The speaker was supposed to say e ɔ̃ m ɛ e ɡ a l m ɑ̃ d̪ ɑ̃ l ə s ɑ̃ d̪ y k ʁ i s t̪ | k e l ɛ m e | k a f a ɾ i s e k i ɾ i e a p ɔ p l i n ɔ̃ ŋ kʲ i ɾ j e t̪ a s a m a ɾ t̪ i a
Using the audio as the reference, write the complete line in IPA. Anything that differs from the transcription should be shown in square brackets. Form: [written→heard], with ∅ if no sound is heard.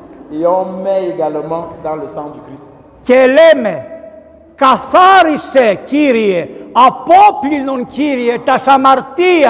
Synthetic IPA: e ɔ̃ m ɛ e ɡ a l m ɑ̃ d̪ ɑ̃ l ə s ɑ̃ d̪ y k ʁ i s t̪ | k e l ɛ m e | k a f a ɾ i s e k i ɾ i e a p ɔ p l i n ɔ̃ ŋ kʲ i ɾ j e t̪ a s a m a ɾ t̪ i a